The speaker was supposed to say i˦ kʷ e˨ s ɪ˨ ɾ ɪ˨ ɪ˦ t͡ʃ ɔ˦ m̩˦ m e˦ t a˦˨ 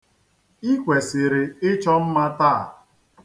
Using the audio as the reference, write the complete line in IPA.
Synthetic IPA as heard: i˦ kʷ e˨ s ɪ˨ ɾ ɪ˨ ɪ˦ t͡ʃ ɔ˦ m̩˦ m a˦ t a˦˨